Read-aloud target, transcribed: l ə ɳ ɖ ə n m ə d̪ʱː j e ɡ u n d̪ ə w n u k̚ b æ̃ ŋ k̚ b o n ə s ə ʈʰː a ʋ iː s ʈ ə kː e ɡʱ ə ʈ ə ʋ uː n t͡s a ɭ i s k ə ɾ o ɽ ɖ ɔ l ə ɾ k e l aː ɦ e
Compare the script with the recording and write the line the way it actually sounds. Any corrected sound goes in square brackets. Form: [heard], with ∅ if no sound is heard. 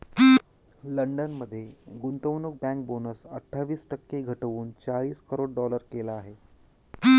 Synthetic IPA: l ə ɳ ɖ ə n m ə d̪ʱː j e ɡ u n [t̪] ə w n u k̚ b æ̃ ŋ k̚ b o n ə s ə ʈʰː a ʋ iː s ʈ ə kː e ɡʱ ə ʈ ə ʋ uː n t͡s a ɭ [iː] s k ə ɾ o ɽ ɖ ɔ l ə ɾ k e l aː ɦ e